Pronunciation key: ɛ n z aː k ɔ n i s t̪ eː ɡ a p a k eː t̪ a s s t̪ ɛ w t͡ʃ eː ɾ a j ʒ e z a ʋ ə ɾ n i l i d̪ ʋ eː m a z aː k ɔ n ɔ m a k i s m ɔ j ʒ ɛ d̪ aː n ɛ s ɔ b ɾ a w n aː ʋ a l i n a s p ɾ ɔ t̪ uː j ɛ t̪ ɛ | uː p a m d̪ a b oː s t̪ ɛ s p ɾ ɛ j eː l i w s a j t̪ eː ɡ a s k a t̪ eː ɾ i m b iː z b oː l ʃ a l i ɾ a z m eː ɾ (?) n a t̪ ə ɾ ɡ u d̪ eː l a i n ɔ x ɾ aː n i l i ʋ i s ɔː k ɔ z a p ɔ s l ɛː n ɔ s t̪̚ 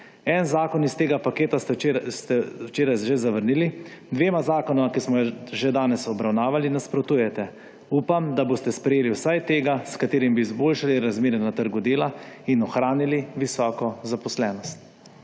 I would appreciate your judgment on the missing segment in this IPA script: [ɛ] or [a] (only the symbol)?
ɛ